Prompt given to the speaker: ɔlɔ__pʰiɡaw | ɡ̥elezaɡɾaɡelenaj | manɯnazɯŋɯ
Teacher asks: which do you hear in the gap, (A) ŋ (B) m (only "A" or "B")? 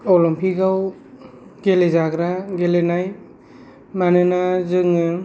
B